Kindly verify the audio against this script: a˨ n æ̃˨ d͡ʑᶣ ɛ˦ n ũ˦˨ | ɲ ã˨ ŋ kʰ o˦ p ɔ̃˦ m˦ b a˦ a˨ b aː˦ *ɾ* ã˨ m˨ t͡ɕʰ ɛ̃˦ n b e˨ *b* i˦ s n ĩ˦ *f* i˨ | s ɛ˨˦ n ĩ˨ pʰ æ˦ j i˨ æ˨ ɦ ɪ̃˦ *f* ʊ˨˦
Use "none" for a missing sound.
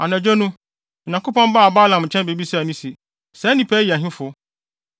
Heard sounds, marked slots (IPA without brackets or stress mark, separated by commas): l, b, s, f